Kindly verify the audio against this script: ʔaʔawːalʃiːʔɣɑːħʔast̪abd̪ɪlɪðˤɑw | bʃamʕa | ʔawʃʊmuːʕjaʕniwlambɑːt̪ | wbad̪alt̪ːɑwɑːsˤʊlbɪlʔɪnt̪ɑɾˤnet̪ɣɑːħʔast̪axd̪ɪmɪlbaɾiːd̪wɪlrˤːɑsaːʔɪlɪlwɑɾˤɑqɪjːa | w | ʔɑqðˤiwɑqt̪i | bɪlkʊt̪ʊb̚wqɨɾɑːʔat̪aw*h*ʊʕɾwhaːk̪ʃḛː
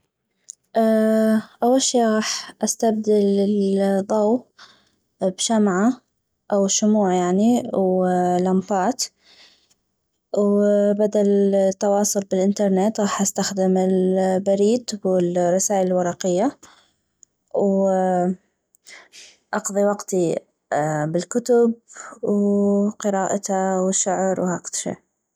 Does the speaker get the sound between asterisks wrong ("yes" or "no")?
yes